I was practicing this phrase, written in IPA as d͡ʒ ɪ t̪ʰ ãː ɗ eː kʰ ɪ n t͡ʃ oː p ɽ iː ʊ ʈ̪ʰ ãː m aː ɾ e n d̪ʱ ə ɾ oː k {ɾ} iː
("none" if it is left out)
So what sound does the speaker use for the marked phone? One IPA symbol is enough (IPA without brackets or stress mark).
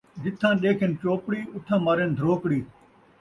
ɽ